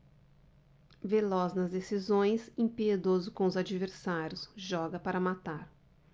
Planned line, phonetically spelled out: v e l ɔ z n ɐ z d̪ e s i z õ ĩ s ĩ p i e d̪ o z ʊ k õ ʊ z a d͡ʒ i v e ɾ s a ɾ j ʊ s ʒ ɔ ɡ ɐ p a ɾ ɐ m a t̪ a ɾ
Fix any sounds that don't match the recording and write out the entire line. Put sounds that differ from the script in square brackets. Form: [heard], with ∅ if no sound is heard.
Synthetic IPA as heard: v e l ɔ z n ɐ z d̪ e s i z õ [j̃] s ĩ p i e d̪ o z ʊ k õ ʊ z a d͡ʒ i v e ɾ s a ɾ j ʊ s ʒ ɔ ɡ ɐ p a ɾ ɐ m a t̪ a ɾ